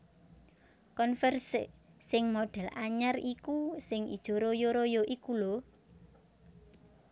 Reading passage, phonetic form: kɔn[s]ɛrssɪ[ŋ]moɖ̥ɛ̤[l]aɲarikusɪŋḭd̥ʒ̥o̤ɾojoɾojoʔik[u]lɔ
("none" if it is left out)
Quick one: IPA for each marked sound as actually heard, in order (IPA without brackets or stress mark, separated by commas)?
f, ŋ, l, u